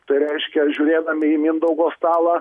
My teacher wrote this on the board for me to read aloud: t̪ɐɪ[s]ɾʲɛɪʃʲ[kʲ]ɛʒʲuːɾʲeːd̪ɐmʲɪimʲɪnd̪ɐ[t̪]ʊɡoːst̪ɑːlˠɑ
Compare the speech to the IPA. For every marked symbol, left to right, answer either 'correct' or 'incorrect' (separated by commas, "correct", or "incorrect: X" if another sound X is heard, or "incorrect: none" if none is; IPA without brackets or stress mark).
incorrect: none, correct, incorrect: none